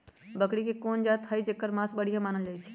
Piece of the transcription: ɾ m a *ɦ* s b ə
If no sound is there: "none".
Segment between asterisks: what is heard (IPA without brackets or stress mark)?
none